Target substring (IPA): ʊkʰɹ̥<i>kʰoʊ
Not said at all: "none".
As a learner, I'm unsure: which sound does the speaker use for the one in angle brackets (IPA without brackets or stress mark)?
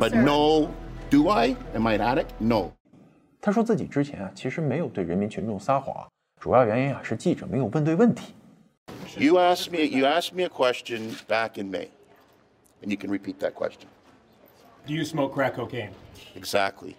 æ